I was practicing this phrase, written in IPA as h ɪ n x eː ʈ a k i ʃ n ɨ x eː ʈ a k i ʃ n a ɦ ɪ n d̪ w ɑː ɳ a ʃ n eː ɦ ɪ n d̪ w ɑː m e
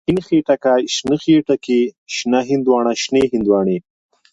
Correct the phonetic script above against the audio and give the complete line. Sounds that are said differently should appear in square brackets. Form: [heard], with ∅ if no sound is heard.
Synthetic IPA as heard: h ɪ n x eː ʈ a k [a] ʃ n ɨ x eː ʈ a k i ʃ n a ɦ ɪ n d̪ w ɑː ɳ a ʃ n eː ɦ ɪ n d̪ w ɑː [ɳ] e